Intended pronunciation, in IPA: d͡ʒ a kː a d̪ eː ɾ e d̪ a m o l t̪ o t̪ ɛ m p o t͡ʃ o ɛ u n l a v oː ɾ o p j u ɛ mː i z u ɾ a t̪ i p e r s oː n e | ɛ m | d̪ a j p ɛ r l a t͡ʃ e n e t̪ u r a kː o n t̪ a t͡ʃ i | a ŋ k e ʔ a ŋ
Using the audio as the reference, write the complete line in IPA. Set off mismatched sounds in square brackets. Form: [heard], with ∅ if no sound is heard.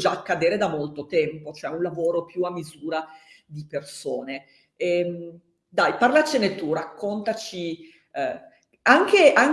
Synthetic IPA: d͡ʒ a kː a d̪ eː ɾ e d̪ a m o l t̪ o t̪ ɛ m p o t͡ʃ o ɛ u n l a v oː ɾ o p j u [a] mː i z [uː] ɾ a [d̪] i p e r s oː n e | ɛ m | d̪ a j p [a] r l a t͡ʃ e n e t̪ u r a kː o n t̪ a t͡ʃ i | a ŋ k e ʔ a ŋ